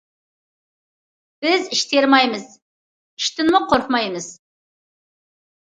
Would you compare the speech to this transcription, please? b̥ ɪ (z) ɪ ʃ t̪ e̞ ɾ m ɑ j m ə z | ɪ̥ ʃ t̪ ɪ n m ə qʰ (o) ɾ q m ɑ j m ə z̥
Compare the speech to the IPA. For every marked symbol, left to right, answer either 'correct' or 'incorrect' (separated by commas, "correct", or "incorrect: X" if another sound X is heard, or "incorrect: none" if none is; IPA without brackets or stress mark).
correct, correct